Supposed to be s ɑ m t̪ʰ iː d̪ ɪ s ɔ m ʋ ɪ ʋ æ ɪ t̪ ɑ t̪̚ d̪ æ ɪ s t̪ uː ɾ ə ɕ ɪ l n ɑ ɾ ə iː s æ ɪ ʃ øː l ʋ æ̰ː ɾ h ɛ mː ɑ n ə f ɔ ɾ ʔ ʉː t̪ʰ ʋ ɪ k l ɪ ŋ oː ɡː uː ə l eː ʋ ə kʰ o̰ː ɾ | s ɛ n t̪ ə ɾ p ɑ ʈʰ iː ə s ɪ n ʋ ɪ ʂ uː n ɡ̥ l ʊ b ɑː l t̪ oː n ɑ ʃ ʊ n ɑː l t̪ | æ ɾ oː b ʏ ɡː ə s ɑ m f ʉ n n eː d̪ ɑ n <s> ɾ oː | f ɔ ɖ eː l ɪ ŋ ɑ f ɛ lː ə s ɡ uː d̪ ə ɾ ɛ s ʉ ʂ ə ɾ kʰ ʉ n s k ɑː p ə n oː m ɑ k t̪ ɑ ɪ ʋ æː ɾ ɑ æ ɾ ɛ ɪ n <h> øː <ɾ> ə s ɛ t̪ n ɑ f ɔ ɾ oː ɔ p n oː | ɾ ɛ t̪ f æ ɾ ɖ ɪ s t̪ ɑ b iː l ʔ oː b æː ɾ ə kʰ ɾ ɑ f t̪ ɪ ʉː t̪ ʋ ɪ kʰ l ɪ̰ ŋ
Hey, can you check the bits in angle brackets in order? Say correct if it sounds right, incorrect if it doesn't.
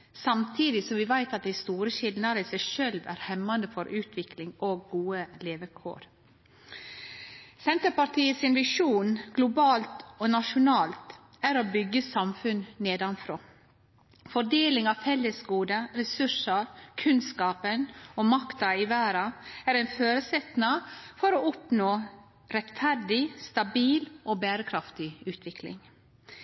incorrect: f, incorrect: f, correct

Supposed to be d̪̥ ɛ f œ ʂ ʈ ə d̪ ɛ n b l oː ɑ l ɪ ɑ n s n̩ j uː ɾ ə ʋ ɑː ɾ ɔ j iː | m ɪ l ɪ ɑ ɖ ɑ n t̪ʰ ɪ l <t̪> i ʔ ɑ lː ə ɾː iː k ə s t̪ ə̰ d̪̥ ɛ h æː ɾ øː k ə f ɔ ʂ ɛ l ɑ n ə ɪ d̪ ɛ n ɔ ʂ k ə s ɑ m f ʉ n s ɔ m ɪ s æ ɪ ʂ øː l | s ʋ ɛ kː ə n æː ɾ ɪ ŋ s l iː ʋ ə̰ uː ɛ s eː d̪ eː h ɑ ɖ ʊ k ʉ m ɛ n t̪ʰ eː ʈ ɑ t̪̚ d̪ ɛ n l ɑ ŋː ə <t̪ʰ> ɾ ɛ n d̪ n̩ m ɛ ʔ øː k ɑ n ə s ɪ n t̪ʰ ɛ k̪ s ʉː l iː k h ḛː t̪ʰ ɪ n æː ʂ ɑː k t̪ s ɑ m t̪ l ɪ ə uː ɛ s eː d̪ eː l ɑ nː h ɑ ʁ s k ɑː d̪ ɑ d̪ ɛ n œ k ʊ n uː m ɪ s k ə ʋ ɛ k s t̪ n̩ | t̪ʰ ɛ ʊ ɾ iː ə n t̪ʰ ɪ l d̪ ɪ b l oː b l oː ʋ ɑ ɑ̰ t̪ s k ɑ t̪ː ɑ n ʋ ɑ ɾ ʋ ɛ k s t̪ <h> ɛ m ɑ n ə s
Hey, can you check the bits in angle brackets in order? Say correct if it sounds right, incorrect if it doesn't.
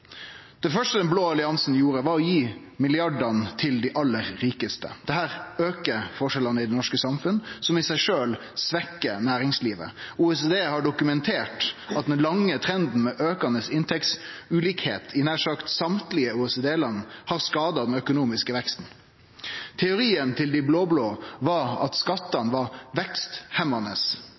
incorrect: d̪, correct, correct

